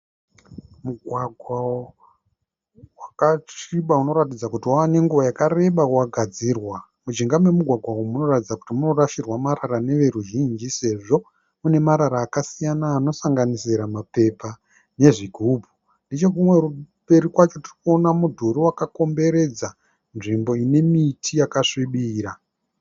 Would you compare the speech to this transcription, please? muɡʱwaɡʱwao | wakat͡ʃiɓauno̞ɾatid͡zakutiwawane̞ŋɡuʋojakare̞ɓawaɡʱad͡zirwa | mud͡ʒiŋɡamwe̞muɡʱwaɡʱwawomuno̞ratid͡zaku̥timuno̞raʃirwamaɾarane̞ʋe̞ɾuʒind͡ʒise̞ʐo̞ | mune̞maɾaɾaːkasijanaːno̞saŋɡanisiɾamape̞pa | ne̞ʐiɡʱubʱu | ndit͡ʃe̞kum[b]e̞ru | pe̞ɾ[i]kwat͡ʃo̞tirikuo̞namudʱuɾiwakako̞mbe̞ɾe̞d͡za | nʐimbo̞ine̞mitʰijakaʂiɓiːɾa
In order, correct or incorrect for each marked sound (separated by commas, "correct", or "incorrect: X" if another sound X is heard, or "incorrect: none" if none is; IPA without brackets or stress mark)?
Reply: incorrect: w, correct